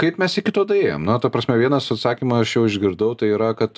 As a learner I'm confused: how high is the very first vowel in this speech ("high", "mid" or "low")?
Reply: low